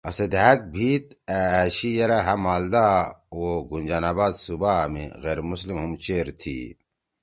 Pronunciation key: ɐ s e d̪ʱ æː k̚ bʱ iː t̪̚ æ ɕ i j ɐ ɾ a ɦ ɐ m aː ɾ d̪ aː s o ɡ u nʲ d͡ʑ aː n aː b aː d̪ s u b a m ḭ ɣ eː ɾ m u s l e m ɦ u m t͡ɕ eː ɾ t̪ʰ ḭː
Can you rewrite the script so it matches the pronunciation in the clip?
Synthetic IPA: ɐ s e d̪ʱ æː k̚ bʱ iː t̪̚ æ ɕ i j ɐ ɾ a ɦ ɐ m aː l d̪ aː o ɡ u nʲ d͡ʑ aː n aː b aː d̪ s u b a m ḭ ɣ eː ɾ m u s l i m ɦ u m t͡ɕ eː ɾ t̪ʰ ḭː